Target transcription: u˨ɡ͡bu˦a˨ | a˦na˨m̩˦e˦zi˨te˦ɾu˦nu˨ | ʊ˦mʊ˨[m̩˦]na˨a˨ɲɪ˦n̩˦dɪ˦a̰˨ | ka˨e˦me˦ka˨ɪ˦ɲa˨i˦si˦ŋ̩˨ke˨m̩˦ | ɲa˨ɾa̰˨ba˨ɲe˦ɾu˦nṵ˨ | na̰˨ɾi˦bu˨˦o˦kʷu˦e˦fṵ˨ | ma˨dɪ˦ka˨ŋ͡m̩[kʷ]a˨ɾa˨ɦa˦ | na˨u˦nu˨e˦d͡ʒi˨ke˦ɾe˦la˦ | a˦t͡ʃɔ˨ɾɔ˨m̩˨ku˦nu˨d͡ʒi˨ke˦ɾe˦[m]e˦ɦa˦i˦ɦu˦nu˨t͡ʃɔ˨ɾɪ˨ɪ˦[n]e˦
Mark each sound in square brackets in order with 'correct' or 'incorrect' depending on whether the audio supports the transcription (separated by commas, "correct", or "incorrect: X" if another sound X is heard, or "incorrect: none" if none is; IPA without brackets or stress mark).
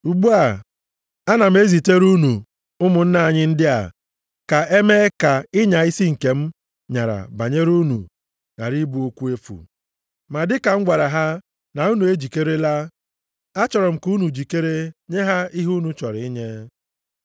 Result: incorrect: n̩˦, incorrect: ɡʷ, incorrect: ɲ, incorrect: ɲ